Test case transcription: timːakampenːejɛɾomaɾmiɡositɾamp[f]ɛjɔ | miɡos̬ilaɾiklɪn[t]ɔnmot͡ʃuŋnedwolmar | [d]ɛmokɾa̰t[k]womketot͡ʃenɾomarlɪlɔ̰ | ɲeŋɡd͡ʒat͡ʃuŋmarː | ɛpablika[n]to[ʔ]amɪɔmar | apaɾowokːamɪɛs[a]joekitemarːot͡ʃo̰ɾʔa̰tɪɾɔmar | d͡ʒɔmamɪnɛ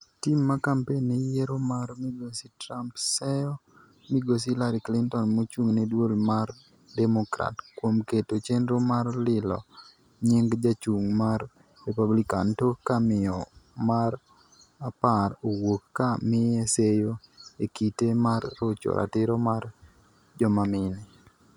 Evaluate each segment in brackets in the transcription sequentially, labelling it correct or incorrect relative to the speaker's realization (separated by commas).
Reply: incorrect, correct, correct, correct, correct, incorrect, incorrect